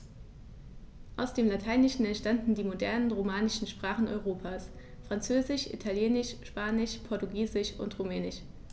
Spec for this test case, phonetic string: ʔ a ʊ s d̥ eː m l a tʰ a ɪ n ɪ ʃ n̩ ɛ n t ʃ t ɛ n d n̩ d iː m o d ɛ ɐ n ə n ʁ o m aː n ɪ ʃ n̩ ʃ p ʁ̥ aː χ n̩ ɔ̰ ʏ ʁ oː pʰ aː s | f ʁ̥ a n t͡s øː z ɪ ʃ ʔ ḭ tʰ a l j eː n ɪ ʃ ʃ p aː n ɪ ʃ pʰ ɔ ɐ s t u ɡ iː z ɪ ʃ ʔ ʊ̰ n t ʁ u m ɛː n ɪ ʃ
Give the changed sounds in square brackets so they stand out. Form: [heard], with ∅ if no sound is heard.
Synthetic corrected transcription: ʔ a ʊ s d̥ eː m l a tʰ a ɪ n ɪ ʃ n̩ ɛ n t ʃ t [a] n d n̩ d iː m o d ɛ ɐ n ə n ʁ o m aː n ɪ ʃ n̩ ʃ p ʁ̥ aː χ n̩ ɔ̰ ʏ ʁ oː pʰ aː s | f ʁ̥ a n t͡s øː z ɪ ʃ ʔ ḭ tʰ a l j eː n ɪ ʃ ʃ p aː n ɪ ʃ pʰ ɔ ɐ [∅] t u ɡ iː z ɪ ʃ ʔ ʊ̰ n t ʁ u m ɛː n ɪ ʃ